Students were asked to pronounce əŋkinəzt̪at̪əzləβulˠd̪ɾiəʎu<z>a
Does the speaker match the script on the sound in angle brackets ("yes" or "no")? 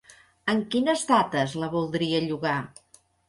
no